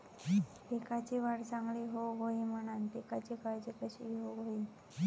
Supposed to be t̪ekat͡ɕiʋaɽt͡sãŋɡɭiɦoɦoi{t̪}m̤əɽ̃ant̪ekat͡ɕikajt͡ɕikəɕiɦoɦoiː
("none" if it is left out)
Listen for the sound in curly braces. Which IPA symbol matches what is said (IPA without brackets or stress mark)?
none